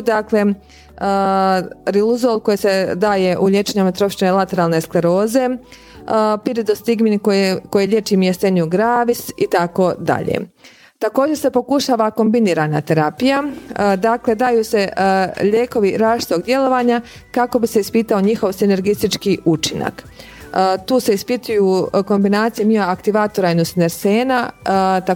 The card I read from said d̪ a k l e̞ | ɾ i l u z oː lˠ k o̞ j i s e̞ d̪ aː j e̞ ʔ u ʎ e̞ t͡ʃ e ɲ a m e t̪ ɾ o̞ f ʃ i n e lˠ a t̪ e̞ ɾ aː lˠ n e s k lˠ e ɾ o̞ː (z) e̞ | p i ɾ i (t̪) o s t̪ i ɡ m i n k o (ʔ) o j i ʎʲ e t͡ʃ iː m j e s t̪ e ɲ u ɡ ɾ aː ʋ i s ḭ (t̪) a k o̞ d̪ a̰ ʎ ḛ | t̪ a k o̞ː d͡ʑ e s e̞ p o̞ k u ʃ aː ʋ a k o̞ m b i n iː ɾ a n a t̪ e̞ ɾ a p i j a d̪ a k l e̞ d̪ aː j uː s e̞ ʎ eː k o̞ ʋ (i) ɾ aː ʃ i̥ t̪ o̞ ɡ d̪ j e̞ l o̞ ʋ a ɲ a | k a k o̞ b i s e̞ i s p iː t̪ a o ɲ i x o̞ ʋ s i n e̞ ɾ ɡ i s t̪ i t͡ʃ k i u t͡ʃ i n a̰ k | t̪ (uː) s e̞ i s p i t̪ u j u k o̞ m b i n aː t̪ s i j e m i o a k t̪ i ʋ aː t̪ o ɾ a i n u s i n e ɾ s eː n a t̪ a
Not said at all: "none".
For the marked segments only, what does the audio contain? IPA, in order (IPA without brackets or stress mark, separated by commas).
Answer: z, d̪, k, t̪, i, uː